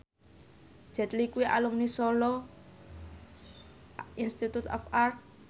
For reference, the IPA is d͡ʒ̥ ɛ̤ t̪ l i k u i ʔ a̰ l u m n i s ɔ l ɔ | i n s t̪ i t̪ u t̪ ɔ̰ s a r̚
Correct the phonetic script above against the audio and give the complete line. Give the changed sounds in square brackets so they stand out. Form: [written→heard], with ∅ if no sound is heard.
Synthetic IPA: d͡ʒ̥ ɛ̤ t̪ l i k u i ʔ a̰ l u m n i s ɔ l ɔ | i n s t̪ i t̪ u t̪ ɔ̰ [s→f] a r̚